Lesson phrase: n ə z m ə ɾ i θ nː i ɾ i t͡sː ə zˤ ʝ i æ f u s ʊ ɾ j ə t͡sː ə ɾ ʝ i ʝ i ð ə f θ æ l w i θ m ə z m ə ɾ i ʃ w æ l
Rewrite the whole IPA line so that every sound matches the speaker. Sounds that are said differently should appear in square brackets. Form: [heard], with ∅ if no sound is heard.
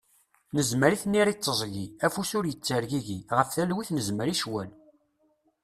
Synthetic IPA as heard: n ə z m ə ɾ i θ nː i ɾ i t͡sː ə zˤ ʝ i æ f u s ʊ ɾ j ə t͡sː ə ɾ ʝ i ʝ i [ʁ] ə f θ æ l w i θ [n] ə z m ə ɾ i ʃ w æ l